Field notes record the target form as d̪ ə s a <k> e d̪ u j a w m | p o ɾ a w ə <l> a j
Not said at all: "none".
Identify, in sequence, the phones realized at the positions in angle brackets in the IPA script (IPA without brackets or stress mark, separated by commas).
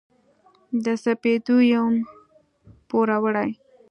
p, ɽ